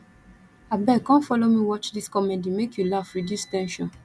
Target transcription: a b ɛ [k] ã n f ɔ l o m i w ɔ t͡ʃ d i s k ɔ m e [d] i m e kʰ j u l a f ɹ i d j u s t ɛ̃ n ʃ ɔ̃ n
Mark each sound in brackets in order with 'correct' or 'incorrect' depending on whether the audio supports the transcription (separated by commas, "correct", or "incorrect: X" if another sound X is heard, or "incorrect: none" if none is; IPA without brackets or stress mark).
correct, correct